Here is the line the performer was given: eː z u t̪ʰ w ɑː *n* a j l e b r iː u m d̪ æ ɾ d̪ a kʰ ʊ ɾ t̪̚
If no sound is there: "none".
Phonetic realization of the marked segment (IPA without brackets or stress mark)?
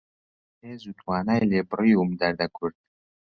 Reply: n